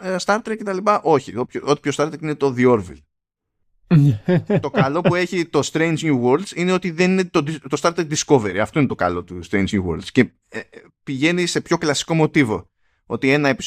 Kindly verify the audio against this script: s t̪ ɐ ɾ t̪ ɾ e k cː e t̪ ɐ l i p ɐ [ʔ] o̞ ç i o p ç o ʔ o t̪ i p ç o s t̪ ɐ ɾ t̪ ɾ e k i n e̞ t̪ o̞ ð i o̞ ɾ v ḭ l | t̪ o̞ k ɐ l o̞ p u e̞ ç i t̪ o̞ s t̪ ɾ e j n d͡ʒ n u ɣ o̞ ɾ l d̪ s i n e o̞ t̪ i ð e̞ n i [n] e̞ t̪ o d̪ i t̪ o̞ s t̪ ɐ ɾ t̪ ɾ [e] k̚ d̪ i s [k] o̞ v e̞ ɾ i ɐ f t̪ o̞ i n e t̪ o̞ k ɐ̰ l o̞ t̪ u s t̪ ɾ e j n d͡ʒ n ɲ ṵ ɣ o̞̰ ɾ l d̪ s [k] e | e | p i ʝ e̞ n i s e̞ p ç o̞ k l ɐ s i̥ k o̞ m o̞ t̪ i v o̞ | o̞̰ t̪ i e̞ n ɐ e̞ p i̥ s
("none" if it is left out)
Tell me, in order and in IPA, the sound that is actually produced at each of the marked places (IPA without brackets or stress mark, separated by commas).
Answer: ʔ, n, e, k, c